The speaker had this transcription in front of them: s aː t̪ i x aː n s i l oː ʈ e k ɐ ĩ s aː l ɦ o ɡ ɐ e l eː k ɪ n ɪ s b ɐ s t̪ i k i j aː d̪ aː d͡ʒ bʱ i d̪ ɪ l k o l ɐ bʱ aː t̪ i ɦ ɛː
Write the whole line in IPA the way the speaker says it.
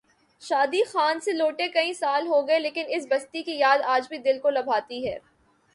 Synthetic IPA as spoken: ʃ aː d̪ i x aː n s e l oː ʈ e k ɐ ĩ s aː l ɦ o ɡ ɐ e l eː k ɪ n ɪ s b ɐ s t̪ i k i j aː d̪ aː d͡ʒ bʱ i d̪ ɪ l k o l ɐ bʱ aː t̪ i ɦ ɛː